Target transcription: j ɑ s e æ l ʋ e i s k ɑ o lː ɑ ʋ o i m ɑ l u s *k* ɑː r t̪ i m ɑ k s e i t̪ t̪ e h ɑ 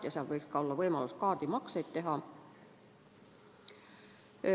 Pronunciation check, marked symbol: correct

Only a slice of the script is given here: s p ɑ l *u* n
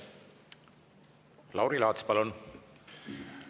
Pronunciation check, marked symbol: correct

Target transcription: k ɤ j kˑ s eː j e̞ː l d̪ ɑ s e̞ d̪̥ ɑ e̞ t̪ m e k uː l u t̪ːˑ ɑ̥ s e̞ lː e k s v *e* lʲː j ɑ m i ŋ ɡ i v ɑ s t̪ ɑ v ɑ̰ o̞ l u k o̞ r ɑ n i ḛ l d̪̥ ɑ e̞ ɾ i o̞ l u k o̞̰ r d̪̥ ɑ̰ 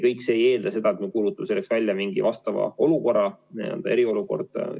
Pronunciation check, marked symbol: incorrect: æ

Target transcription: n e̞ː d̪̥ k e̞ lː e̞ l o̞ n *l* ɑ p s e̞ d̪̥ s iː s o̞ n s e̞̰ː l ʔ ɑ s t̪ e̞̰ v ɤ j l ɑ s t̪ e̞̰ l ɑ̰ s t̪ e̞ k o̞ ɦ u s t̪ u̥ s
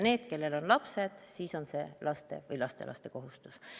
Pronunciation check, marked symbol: correct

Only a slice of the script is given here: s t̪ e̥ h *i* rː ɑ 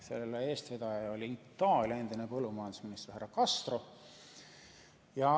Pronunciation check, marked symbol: incorrect: æ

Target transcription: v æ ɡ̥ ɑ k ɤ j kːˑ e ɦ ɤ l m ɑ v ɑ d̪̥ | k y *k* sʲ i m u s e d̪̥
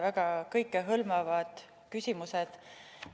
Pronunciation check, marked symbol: incorrect: none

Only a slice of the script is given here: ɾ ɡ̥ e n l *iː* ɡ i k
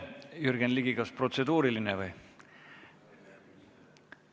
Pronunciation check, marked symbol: incorrect: i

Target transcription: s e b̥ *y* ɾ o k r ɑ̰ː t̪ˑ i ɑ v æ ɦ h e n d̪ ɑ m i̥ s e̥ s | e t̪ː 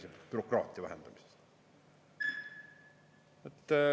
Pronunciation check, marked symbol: correct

